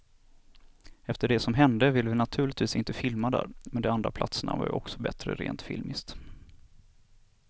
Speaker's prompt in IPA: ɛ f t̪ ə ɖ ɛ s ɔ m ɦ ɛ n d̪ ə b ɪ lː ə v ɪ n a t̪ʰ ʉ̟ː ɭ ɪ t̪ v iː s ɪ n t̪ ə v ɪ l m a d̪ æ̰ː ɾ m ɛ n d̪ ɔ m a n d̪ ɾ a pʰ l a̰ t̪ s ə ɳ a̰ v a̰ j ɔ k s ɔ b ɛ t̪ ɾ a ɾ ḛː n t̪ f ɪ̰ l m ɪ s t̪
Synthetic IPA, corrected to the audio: ɛ f t̪ ə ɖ ɛ s ɔ m ɦ ɛ n d̪ ə v ɪ lː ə v ɪ n a t̪ʰ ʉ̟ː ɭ ɪ t̪ v iː s ɪ n t̪ ə f ɪ l m a d̪ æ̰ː ɾ m ɛ n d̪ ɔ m a n d̪ ɾ a pʰ l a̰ t̪ s ə ɳ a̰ v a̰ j ɔ k s ɔ b ɛ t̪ ɾ ə ɾ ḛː n t̪ f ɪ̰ l m ɪ s t̪